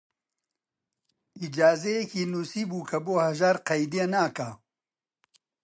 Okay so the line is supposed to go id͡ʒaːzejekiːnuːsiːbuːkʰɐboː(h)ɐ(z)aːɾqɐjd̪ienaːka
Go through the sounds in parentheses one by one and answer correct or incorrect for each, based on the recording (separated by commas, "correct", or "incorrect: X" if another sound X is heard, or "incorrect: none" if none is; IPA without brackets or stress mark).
correct, incorrect: ʒ